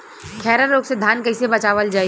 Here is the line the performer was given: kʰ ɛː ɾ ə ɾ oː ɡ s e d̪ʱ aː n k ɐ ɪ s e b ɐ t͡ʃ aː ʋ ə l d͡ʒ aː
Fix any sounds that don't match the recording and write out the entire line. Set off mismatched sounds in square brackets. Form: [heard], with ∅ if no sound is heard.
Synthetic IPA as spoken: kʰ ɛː ɾ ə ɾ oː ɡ s e d̪ʱ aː n k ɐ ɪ s e b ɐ t͡ʃ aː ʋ ə l d͡ʒ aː